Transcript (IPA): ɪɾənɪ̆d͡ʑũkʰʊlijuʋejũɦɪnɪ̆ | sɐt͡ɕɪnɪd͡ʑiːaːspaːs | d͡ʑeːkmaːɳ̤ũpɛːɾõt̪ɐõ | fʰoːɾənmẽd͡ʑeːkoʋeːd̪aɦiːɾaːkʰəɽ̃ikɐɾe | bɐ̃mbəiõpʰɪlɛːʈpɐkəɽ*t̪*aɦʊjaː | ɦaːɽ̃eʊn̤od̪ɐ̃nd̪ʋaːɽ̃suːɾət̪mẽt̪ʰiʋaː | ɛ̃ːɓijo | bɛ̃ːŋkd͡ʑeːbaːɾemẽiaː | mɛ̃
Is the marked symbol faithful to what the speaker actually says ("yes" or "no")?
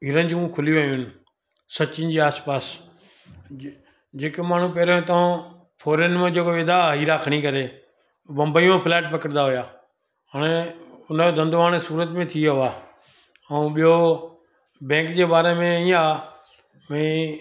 no